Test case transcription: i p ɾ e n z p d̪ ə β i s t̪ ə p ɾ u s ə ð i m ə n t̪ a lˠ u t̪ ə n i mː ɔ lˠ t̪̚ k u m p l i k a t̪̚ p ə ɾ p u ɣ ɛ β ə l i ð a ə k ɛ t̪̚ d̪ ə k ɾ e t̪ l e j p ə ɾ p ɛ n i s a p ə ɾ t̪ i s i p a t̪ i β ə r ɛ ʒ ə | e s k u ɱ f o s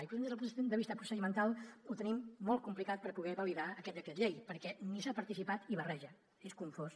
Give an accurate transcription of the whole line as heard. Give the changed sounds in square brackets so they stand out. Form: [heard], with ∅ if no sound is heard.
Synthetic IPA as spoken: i p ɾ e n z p d̪ ə β i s t̪ ə p ɾ u s ə ð i m ə n t̪ a lˠ u t̪ ə n i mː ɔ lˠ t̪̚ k u m p l i k a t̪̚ p ə ɾ p u ɣ ɛ β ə l i ð a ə k ɛ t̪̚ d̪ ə k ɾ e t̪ [ʎ] e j p ə ɾ [k] ɛ n i s a p ə ɾ t̪ i s i p a t̪ i β ə r ɛ ʒ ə | e s k u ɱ f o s

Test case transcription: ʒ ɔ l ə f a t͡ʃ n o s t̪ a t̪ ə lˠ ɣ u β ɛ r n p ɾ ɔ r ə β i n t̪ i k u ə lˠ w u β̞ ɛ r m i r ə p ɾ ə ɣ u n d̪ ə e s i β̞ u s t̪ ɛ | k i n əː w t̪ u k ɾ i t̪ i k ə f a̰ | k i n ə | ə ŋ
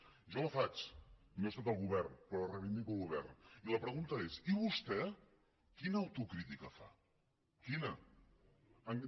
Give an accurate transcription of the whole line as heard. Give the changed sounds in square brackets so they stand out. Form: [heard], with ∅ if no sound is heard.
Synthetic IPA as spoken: ʒ ɔ l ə f a t͡ʃ n o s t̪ a t̪ ə lˠ ɣ u β ɛ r n p ɾ ɔ r ə β i n [d̪] i k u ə lˠ [ɣ] u β̞ ɛ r [n] i [l] ə p ɾ ə ɣ u n [t̪] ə e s i β̞ u s t̪ ɛ | k i n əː w t̪ u k ɾ i t̪ i k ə f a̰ | k i n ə | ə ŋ

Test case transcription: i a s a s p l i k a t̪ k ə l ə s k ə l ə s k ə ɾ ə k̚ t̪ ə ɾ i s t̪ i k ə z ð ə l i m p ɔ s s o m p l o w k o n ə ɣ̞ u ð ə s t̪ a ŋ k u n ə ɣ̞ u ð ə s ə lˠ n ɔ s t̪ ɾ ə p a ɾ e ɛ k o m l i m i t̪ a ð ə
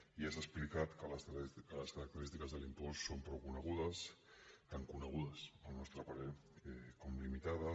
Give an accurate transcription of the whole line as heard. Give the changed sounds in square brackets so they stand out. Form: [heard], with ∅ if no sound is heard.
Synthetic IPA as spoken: i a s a s p l i k a t̪ k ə l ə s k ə l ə s k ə ɾ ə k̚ t̪ ə ɾ i s t̪ i k ə z ð ə l i m p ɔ s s o m p [ɾ] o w k [u] n ə ɣ̞ u ð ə s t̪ a ŋ k u n ə ɣ̞ u ð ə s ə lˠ n ɔ s t̪ ɾ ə p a ɾ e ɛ k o m l i m i t̪ a ð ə

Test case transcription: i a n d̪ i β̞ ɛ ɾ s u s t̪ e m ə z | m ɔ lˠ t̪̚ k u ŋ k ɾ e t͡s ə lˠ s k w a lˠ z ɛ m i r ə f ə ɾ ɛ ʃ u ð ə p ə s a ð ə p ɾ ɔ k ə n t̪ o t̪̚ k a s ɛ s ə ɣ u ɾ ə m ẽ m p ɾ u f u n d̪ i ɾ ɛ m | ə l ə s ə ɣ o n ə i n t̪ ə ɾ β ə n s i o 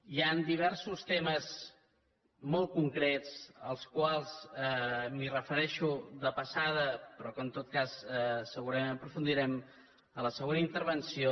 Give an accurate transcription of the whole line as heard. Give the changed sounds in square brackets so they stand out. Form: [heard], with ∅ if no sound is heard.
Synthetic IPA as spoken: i a n d̪ i β̞ ɛ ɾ s u s t̪ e m ə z | m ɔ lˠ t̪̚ k u ŋ k ɾ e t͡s ə lˠ s k w a lˠ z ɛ m i r ə f ə ɾ ɛ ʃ u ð ə p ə s a ð ə p ɾ ɔ k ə n t̪ o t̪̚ k a s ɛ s ə ɣ u ɾ ə m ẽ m p ɾ u f u n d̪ i ɾ ɛ m | ə l ə s ə ɣ o n ə i n t̪ ə ɾ β ə n s i o

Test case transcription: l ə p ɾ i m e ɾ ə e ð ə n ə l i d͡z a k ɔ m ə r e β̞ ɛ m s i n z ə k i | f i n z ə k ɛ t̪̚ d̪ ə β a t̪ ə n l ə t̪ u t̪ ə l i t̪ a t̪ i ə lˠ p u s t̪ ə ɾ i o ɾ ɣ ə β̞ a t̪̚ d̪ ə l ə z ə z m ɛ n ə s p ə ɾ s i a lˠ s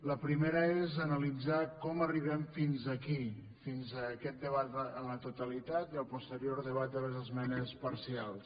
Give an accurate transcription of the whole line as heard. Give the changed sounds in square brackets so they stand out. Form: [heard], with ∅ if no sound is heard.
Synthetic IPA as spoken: l ə p ɾ i m e ɾ ə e [z] ə n ə l i d͡z a k ɔ m ə r [i] β̞ ɛ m [f] i n z ə k i | f i n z ə k ɛ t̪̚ d̪ ə β a t̪ ə n l ə t̪ u t̪ ə l i t̪ a t̪ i ə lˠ p u s t̪ ə ɾ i o ɾ [ð] ə β̞ a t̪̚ d̪ ə l ə z ə z m ɛ n ə s p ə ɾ s i a lˠ s

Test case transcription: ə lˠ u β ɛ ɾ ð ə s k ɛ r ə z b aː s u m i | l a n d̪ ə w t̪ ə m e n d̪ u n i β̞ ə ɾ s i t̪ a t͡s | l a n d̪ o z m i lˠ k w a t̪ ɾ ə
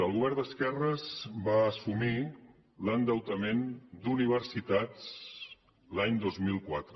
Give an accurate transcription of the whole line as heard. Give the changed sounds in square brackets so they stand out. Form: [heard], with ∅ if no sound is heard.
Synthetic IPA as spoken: ə lˠ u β ɛ ɾ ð ə s k ɛ r ə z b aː s u m i | l [ə] n d̪ ə w t̪ ə m e n d̪ u n i β̞ ə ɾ s i t̪ a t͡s | l a [ɲ] d̪ o z m i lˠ k w a t̪ ɾ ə

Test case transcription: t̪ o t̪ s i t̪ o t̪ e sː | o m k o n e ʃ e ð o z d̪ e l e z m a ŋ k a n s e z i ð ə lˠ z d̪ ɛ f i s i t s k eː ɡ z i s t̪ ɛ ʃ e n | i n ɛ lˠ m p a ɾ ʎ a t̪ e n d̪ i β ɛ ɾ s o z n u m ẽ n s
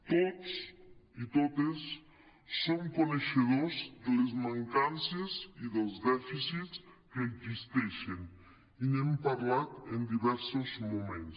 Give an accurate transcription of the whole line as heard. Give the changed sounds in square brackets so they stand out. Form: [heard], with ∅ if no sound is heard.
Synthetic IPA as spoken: t̪ o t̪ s i t̪ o t̪ e sː | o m k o n e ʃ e ð o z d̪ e l e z m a ŋ k a n s e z i ð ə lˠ z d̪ ɛ f i s i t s k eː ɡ z i s t̪ ɛ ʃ e n | i n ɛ [∅] m p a ɾ [l] a t̪ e n d̪ i β ɛ ɾ s o z [m] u m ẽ n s

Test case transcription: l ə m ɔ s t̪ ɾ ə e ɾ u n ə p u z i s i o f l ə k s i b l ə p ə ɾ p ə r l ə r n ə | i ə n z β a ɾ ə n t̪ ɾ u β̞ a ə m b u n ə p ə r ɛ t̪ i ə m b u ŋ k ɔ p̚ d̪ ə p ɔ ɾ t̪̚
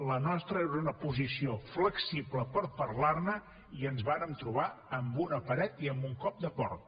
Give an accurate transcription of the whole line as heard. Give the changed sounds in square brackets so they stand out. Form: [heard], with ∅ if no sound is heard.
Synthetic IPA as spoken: l ə [n] ɔ s t̪ ɾ ə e ɾ u n ə p u z i s i o f l ə k s i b l ə p ə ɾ p ə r l [a] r n ə | i ə n z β a ɾ ə [m] t̪ ɾ u β̞ a ə m b u n ə p ə [ɾ] ɛ t̪ i ə m b u ŋ k ɔ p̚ d̪ ə p ɔ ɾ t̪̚

